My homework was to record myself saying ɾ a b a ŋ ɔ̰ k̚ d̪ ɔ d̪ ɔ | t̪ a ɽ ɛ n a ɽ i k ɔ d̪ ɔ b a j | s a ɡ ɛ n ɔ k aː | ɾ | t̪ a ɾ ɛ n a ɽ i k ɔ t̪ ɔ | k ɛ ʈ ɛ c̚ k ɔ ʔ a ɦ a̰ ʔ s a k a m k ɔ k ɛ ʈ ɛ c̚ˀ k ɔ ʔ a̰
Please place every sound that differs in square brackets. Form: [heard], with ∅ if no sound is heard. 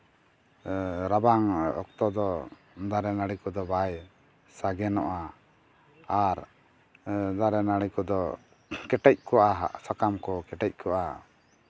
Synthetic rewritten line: ɾ a b a ŋ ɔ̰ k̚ [t̪] ɔ d̪ ɔ | [d̪] a [ɾ] ɛ n a ɽ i k ɔ d̪ ɔ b a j | s a ɡ ɛ n ɔ [ʔ] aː | ɾ | [d̪] a ɾ ɛ n a ɽ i k ɔ [d̪] ɔ | k ɛ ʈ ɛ c̚ k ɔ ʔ a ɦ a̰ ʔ s a k a m k ɔ k ɛ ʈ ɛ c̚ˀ k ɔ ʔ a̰